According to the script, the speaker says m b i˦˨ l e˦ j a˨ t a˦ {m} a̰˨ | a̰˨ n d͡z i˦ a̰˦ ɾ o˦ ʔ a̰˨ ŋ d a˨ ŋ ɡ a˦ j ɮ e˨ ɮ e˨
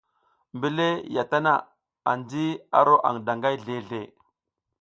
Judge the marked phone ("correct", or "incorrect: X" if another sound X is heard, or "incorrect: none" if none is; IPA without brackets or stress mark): incorrect: n